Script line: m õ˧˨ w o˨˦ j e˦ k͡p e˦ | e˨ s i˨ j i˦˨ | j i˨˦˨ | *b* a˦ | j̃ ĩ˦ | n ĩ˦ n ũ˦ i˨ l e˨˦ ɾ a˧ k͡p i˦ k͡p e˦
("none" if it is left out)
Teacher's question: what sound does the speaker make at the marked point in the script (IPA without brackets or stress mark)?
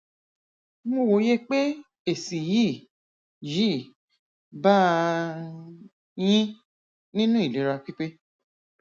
b